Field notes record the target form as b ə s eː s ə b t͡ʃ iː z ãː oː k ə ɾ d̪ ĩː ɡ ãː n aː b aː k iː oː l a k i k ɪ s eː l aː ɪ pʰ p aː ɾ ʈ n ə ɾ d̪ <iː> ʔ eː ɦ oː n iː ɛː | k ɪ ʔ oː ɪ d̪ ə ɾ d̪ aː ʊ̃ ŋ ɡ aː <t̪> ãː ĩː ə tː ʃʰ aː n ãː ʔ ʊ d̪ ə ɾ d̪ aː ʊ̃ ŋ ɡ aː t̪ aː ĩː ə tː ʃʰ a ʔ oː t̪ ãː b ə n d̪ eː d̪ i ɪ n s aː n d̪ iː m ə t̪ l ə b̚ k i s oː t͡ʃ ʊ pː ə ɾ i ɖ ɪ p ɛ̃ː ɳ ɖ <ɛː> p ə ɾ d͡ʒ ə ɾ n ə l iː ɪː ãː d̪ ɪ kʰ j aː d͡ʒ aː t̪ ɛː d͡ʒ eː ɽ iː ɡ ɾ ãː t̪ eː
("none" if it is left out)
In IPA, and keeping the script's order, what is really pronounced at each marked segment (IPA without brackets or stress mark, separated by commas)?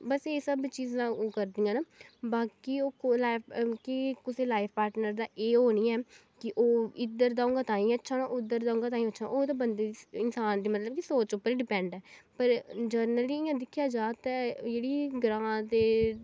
aː, t̪, ɛː